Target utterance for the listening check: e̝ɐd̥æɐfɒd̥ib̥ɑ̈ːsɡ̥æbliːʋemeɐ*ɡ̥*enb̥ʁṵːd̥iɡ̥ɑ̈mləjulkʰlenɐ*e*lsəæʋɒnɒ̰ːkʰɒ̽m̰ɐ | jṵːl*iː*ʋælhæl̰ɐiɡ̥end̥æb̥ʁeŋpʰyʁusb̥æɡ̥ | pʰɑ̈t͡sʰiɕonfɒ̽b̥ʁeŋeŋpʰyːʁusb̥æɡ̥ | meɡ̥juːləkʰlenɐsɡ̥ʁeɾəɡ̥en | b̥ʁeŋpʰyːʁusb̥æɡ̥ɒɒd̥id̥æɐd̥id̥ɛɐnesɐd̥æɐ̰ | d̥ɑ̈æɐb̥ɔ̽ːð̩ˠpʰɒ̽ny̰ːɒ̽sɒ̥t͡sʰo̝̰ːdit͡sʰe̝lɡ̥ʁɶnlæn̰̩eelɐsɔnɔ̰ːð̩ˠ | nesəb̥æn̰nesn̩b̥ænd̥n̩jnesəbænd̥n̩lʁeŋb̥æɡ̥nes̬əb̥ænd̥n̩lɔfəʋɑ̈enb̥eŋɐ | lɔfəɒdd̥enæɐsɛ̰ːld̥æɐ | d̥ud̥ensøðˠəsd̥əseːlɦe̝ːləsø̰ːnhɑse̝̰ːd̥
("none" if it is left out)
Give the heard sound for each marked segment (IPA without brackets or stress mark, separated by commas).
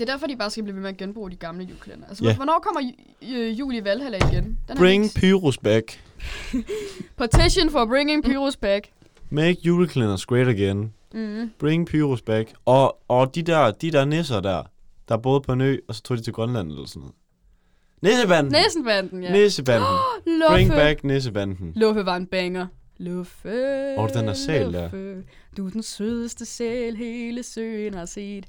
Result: ɡ̥, æ, i